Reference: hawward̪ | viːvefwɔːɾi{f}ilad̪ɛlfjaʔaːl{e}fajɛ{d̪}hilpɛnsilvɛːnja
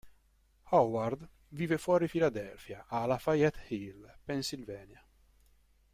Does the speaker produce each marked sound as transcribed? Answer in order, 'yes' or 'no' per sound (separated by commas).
yes, no, no